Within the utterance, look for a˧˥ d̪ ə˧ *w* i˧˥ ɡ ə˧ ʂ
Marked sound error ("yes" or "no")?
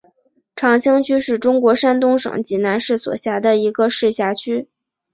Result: yes